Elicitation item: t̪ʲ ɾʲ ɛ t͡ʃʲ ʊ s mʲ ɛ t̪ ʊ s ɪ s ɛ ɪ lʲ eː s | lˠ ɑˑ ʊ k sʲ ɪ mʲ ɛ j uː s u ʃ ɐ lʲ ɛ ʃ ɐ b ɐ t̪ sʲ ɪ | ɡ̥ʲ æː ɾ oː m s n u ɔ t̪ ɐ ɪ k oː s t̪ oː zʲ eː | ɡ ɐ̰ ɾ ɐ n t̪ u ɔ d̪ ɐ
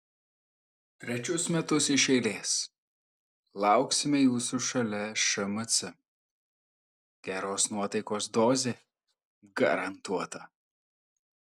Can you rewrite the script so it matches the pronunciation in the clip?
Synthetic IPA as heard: t̪ʲ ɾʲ ɛ t͡ʃʲ ʊ s mʲ ɛ t̪ ʊ s ɪ ʃ ɛ ɪ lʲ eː s | lˠ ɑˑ ʊ k sʲ ɪ mʲ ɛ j uː s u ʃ ɐ lʲ ɛ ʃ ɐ m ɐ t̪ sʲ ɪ | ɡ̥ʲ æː ɾ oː s n u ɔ t̪ ɐ ɪ k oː s d̪ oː zʲ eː | ɡ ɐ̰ ɾ ɐ n t̪ u ɔ t̪ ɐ